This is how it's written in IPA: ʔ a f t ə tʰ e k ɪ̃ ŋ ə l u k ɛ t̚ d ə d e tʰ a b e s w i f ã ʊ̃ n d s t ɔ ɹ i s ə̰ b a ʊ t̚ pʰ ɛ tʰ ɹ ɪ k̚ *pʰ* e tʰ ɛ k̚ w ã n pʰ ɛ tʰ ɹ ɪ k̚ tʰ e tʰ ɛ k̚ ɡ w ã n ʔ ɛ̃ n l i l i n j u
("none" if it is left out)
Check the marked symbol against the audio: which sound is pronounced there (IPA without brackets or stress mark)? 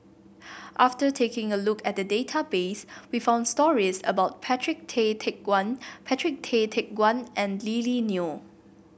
tʰ